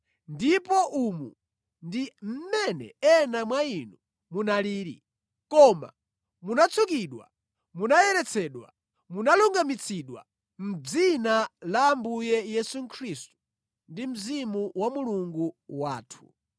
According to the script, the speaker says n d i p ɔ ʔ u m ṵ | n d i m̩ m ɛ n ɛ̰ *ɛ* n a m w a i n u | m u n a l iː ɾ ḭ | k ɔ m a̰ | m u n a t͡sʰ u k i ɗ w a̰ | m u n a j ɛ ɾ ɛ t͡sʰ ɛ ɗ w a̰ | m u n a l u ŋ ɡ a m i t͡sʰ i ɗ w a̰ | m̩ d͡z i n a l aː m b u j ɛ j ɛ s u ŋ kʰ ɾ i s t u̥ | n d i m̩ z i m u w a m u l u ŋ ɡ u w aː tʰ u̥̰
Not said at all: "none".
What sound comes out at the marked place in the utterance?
ɛ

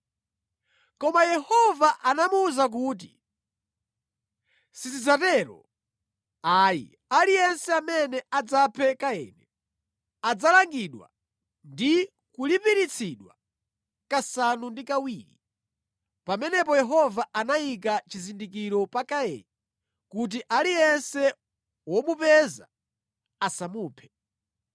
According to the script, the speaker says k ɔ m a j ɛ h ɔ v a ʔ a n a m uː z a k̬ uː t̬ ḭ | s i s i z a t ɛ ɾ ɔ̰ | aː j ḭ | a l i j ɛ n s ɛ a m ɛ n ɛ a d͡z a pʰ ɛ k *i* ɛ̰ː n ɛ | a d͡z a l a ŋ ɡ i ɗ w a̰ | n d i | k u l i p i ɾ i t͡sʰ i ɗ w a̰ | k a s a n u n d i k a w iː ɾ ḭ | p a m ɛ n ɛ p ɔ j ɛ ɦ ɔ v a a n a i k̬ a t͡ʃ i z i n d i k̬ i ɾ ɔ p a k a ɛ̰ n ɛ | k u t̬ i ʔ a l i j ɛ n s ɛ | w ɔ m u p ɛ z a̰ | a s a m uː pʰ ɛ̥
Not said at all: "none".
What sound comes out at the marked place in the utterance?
a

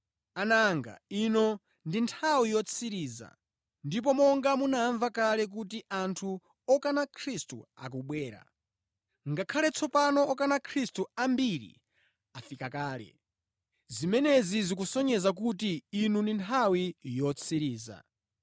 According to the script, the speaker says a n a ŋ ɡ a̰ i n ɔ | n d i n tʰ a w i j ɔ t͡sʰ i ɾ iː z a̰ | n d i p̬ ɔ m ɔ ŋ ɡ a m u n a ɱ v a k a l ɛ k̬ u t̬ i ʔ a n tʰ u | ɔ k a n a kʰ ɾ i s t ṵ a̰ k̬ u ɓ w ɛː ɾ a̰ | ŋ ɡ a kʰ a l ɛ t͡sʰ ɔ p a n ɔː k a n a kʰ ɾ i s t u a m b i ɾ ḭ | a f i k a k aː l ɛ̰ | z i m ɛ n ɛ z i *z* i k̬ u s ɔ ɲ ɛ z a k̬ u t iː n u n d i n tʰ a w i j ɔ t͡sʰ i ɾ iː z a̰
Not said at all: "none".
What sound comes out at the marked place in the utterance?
z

